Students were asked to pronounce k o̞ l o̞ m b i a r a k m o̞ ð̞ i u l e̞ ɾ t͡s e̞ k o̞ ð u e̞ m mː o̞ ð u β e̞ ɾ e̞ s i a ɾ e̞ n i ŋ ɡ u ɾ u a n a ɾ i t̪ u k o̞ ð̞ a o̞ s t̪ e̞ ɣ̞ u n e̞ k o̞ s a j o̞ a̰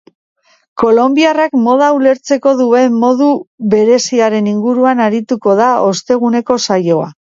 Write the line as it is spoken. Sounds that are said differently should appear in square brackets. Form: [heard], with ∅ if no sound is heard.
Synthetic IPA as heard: k o̞ l o̞ m b i a r a k m o̞ ð̞ [a] u l e̞ ɾ t͡s e̞ k o̞ ð u e̞ m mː o̞ ð u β e̞ ɾ e̞ s i a ɾ e̞ n i ŋ ɡ u ɾ u a n a ɾ i t̪ u k o̞ ð̞ a o̞ s t̪ e̞ ɣ̞ u n e̞ k o̞ s a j o̞ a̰